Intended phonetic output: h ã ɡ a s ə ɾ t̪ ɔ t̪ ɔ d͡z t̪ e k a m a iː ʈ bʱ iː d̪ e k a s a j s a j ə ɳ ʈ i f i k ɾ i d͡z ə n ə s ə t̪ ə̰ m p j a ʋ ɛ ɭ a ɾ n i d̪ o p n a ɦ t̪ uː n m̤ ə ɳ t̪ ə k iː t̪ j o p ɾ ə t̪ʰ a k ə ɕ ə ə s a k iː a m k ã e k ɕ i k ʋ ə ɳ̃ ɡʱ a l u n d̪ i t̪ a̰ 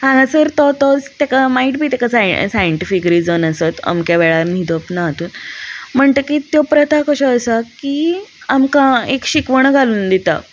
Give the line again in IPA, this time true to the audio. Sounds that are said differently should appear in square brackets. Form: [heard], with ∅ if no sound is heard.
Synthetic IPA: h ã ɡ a s ə ɾ t̪ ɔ t̪ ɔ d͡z t̪ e k a m a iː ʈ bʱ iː [t̪] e k a s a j s a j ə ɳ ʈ i f i k ɾ i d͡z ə n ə s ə t̪ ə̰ m [k] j a ʋ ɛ ɭ a ɾ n i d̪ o p n a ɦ t̪ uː n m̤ ə ɳ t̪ ə k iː t̪ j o p ɾ ə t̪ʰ a k ə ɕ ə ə s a k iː a m k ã e k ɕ i k ʋ ə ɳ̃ ɡʱ a l [uː] n d̪ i t̪ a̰